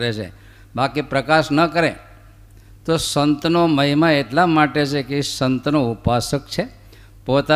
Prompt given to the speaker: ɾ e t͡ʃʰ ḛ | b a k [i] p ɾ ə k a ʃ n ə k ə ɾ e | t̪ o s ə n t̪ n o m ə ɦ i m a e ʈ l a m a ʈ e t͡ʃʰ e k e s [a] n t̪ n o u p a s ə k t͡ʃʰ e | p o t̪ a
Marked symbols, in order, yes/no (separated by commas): yes, no